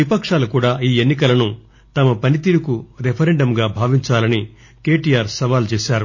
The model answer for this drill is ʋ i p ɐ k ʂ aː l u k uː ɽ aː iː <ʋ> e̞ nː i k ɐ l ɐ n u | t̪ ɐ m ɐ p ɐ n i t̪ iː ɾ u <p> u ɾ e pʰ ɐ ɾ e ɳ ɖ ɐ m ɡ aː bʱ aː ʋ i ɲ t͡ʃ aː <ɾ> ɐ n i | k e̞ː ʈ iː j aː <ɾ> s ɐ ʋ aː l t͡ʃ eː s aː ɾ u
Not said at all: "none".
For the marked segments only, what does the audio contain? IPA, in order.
none, k, l, ɾ

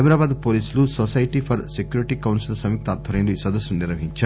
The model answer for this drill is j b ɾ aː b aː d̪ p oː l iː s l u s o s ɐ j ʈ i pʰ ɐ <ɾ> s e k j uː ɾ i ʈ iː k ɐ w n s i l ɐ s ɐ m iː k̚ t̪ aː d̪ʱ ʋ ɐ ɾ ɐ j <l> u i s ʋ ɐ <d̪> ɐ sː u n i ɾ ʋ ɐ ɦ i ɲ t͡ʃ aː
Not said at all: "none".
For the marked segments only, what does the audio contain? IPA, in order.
ɾ, l, d̪

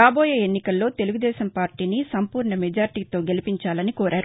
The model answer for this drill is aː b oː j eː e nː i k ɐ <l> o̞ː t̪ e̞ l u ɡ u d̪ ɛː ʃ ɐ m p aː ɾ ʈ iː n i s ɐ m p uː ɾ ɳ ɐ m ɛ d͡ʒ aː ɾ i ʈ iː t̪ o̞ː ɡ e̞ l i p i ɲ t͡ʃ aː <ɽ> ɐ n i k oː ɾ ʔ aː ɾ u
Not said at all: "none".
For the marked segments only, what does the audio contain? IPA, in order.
lː, l

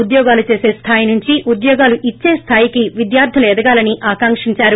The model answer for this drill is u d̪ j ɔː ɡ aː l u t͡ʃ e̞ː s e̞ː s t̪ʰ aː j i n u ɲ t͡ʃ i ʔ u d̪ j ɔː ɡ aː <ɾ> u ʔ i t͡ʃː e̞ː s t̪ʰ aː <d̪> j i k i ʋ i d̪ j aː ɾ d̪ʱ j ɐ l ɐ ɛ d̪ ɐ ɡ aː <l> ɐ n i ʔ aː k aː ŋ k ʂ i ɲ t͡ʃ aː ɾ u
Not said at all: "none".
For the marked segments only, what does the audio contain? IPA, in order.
l, none, l

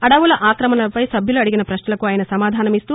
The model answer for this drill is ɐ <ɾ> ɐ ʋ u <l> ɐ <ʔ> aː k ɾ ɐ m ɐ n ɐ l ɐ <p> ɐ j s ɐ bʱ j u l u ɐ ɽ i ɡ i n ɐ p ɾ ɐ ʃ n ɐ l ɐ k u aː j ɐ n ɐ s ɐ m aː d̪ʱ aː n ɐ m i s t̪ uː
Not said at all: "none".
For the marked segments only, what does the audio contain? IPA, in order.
ɽ, l, ʔ, p

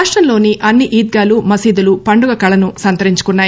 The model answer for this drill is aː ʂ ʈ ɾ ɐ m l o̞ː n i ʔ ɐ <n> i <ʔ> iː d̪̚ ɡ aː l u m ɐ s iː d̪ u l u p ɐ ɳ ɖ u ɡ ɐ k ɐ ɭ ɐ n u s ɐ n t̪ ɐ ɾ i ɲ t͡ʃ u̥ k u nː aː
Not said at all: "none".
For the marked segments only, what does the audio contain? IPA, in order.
nː, ʔ

